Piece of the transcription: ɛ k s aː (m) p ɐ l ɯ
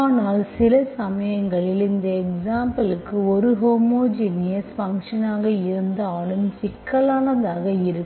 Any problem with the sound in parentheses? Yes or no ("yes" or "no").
no